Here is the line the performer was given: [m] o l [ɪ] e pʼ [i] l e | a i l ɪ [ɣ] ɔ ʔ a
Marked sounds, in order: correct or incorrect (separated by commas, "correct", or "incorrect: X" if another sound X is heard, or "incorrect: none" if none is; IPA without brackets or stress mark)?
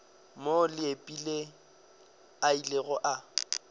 correct, correct, correct, correct